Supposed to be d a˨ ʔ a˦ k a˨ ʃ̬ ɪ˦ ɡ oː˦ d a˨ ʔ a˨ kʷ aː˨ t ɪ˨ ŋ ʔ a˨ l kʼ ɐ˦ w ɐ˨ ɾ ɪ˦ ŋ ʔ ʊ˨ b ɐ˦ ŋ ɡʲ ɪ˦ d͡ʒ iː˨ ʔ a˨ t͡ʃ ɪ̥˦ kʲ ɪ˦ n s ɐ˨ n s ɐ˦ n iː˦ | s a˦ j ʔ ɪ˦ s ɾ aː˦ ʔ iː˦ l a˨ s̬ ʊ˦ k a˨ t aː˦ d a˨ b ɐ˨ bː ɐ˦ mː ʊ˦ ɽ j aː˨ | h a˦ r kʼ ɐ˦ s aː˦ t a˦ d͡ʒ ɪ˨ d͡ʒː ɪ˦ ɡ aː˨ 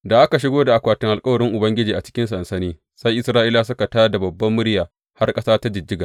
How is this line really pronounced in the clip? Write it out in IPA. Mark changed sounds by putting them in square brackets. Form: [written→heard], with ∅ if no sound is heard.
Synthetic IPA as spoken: d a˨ ʔ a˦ k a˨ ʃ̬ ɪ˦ ɡ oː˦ d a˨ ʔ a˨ kʷ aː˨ t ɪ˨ ŋ ʔ a˨ l kʼ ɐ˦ w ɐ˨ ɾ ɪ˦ ŋ ʔ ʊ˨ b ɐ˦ ŋ ɡʲ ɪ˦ d͡ʒ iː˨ ʔ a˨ t͡ʃ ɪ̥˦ kʲ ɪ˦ n s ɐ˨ n s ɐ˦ n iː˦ | s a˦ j ʔ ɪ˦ s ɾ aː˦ ʔ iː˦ l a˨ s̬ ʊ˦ k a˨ t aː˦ d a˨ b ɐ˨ bː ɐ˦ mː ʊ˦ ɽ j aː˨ | h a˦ r kʼ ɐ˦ s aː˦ t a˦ d͡ʒ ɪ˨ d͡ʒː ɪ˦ ɡ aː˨